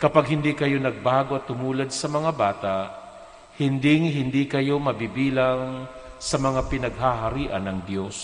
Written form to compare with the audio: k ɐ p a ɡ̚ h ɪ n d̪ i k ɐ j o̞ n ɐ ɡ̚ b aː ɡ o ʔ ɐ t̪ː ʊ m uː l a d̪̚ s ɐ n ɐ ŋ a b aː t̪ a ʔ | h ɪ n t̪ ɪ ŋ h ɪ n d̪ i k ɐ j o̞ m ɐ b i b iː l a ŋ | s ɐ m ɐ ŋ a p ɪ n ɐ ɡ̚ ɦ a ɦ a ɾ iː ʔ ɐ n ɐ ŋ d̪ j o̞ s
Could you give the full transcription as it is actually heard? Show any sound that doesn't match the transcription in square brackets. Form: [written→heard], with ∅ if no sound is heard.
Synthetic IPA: k ɐ p a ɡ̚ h ɪ n d̪ i k ɐ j o̞ n ɐ ɡ̚ b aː ɡ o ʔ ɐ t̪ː ʊ m uː l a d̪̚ s ɐ [n→m] ɐ ŋ a b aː t̪ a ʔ | h ɪ n [t̪→d̪] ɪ ŋ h ɪ n d̪ i k ɐ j o̞ m ɐ b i b iː l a ŋ | s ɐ m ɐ ŋ a p ɪ n ɐ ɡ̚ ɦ a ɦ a ɾ iː ʔ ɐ n ɐ ŋ d̪ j o̞ s